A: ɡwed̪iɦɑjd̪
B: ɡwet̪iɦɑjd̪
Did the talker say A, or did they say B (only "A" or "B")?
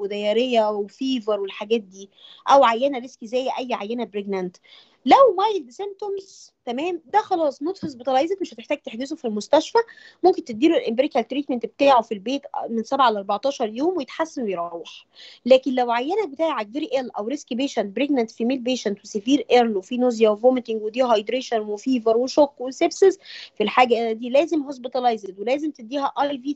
A